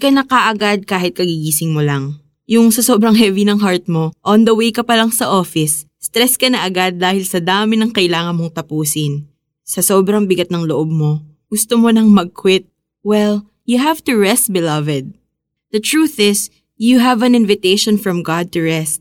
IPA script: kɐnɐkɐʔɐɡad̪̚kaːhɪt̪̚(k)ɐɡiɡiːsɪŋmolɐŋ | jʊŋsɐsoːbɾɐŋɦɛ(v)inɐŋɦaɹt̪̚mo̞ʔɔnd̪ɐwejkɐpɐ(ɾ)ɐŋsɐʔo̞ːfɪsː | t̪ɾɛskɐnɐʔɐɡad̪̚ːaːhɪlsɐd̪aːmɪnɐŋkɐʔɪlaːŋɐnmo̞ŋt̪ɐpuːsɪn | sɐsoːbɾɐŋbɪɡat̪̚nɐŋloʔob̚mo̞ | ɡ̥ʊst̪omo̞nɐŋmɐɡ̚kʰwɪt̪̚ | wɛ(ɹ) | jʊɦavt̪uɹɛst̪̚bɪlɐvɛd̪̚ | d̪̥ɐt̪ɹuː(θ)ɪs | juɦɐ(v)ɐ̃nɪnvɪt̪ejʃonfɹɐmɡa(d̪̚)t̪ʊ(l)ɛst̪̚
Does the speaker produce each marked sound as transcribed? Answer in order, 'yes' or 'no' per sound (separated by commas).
yes, yes, no, no, yes, yes, yes, no